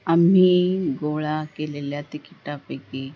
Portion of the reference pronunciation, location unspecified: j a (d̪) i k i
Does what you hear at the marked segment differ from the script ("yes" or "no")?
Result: yes